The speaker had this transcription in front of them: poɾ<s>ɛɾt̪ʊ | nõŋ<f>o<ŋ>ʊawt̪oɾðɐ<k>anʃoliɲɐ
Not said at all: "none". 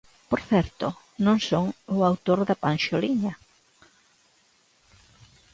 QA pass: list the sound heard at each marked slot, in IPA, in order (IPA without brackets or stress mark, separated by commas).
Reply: θ, s, ŋ, p